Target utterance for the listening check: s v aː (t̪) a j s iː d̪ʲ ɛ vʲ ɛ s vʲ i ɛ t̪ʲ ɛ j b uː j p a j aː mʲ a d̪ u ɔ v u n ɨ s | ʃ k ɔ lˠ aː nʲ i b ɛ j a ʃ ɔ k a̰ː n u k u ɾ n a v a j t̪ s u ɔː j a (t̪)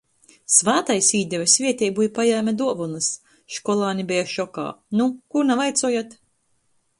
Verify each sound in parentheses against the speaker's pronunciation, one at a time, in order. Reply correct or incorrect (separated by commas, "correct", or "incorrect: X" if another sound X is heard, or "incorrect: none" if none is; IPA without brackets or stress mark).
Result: correct, correct